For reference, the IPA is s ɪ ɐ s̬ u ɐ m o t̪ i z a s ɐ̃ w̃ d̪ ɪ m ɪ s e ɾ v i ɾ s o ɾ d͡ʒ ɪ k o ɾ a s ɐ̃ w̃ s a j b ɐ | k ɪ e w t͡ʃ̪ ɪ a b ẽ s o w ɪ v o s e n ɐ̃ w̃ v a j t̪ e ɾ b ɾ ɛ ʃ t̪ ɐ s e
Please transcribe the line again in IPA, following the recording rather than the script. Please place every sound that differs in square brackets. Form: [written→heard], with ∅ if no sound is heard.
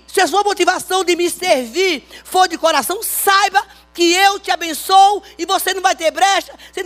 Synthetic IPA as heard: s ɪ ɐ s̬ u ɐ m o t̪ i [z→v] a s ɐ̃ w̃ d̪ ɪ m ɪ s e ɾ v i ɾ [s→f] o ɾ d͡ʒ ɪ k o ɾ a s ɐ̃ w̃ s a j b ɐ | k ɪ e w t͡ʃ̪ ɪ a b ẽ s o w ɪ v o s e n ɐ̃ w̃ v a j t̪ e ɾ b ɾ ɛ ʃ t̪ ɐ s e